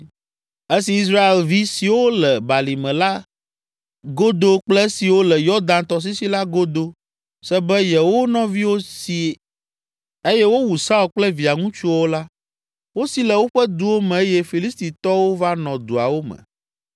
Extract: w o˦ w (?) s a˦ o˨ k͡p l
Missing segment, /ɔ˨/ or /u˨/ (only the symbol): u˨